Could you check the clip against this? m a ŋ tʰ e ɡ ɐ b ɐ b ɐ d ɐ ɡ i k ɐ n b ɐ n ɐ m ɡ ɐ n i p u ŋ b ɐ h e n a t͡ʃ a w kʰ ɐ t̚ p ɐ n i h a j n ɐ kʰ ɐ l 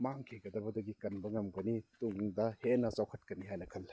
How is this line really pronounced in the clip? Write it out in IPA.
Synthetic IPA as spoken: m a ŋ kʰ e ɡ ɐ d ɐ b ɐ d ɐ ɡ i k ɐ n b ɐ ŋ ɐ m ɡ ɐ n i t u ŋ d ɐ h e n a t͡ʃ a w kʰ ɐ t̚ k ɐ n i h a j n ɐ kʰ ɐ l

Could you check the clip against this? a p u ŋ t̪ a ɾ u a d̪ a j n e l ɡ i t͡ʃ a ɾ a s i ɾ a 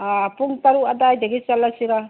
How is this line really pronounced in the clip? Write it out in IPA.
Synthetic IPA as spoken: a p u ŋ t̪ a ɾ u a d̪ a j d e ɡ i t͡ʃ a l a s i ɾ a

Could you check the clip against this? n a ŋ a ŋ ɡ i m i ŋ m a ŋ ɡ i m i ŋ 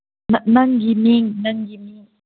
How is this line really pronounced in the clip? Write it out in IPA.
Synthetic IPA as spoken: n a n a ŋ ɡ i m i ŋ n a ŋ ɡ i m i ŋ

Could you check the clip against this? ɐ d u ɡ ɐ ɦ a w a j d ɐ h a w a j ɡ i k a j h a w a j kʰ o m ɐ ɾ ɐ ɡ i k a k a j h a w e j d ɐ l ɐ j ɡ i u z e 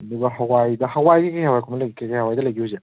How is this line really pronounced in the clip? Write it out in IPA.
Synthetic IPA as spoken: ɐ d u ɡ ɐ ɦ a w a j d ɐ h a w a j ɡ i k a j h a w a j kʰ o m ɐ l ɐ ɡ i k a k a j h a w a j d ɐ l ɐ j ɡ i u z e

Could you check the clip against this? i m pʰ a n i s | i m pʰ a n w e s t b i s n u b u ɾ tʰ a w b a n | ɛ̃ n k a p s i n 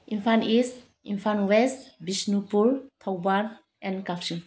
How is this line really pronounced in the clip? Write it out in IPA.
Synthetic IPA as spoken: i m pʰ a n i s | i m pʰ a n w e s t b i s n u p u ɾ tʰ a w b a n | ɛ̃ n k a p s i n

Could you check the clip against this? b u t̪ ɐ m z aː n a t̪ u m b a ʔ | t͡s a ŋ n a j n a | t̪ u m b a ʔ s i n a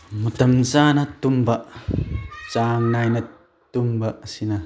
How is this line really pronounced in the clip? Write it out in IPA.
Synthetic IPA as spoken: m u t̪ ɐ m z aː n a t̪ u m b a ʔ | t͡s a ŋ n a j n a | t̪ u m b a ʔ s i n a

